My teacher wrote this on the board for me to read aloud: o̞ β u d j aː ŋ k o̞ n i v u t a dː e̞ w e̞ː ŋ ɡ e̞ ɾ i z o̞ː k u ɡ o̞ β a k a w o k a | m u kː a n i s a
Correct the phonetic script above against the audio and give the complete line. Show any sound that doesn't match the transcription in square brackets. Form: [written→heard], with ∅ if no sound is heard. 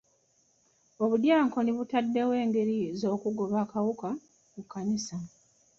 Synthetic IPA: o̞ β u d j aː ŋ k o̞ n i [v→β] u t a dː e̞ w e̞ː ŋ ɡ e̞ ɾ i z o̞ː k u ɡ o̞ β a k a w [o→u] k a | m u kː a n i s a